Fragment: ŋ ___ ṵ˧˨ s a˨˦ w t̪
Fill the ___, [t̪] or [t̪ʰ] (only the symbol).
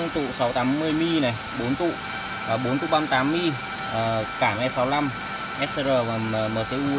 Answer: t̪